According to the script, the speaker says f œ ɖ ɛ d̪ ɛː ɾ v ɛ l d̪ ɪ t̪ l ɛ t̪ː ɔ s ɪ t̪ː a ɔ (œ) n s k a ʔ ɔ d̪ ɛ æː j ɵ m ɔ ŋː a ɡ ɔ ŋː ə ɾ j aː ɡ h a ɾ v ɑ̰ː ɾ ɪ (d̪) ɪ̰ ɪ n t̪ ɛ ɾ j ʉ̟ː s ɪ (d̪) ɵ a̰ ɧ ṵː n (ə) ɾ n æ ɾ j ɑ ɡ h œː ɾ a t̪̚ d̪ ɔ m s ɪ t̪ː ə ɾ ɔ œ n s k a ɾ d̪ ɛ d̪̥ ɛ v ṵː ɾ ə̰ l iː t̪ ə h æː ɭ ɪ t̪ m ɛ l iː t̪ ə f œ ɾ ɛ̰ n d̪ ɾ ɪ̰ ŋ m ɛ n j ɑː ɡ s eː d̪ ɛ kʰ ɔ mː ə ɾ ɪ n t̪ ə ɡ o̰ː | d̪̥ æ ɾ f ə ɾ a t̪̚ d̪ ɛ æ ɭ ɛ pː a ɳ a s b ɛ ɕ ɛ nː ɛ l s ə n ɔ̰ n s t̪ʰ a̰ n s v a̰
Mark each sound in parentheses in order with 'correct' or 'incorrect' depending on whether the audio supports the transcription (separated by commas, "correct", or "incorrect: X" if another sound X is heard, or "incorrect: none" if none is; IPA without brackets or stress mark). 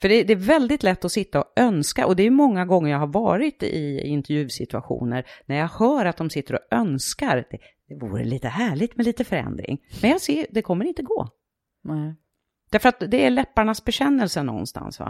correct, incorrect: t̪, incorrect: t̪, correct